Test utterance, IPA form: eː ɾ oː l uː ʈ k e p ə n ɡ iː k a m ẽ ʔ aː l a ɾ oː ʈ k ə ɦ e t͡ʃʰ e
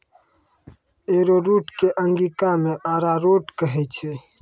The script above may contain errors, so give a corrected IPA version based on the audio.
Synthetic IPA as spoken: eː ɾ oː ɾ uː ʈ k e ʔ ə ŋ ɡ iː k a m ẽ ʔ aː ɾ a ɾ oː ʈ k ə ɦ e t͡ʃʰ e